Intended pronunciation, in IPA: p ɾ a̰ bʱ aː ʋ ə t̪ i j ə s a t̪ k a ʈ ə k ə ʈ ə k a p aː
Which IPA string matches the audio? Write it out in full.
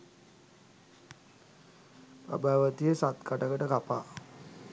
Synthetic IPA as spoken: p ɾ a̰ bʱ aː ʋ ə t̪ i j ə s a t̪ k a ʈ ə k ə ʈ ə k a p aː